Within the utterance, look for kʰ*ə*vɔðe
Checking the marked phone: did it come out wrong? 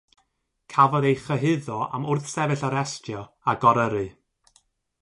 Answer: yes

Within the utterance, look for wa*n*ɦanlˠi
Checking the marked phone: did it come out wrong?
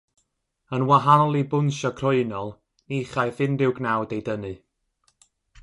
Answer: yes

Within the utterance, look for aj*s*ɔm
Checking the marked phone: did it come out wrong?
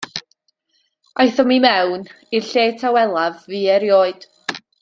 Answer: yes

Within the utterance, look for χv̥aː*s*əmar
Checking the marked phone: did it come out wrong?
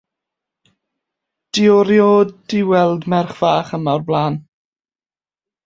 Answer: yes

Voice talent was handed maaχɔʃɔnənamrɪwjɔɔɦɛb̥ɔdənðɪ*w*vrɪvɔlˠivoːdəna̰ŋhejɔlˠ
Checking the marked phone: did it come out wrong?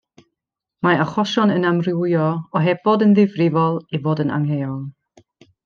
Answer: yes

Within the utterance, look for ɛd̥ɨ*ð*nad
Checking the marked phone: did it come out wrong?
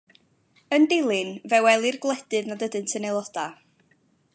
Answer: no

